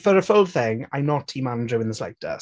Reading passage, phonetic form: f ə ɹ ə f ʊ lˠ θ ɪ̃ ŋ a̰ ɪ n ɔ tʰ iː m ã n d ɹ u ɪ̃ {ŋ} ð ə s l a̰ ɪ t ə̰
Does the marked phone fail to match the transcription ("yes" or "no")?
yes